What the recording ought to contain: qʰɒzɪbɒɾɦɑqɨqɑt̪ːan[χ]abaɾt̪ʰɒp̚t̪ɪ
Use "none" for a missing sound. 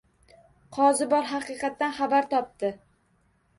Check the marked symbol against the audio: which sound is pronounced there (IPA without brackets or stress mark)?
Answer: χ